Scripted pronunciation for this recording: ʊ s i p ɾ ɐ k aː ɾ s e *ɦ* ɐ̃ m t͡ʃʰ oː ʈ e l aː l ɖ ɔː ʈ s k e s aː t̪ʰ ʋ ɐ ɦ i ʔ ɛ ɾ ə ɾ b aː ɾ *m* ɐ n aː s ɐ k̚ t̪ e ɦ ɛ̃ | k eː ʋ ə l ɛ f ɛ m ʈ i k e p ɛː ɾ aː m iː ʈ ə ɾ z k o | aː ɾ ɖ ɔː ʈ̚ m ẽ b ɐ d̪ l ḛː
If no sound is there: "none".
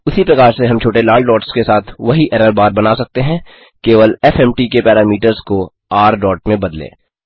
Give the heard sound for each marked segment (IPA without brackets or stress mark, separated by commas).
ɦ, b